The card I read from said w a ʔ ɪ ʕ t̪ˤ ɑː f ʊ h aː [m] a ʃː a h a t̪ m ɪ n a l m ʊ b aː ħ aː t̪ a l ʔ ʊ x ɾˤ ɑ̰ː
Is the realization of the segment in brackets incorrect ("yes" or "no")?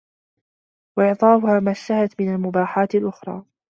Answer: no